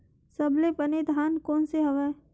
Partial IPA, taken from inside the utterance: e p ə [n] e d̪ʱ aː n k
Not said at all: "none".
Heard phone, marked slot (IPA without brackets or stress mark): n